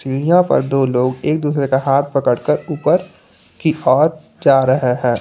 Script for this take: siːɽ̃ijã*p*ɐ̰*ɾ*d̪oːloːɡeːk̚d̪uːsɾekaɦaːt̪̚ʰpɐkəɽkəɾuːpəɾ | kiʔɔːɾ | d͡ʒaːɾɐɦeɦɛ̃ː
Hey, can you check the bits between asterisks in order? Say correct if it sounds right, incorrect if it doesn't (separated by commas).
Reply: correct, correct